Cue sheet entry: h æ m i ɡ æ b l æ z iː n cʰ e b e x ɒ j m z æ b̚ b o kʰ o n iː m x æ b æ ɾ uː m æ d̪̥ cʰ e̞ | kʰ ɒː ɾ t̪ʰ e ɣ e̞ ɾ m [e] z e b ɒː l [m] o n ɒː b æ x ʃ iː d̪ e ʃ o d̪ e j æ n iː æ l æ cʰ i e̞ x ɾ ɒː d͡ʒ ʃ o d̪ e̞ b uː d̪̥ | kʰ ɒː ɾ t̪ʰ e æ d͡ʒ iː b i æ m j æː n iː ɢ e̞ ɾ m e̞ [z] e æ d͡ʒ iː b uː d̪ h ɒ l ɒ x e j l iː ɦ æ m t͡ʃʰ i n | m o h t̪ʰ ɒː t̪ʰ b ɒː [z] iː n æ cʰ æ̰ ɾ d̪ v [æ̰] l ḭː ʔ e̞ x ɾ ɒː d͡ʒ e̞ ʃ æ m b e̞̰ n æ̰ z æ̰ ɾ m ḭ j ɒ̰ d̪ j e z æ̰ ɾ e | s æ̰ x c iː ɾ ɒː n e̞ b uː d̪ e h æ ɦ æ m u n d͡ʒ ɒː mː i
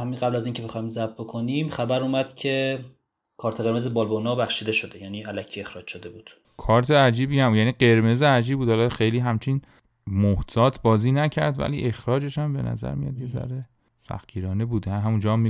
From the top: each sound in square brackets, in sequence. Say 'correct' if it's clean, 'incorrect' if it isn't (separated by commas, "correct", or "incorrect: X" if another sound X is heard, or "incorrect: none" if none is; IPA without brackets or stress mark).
correct, incorrect: b, correct, correct, correct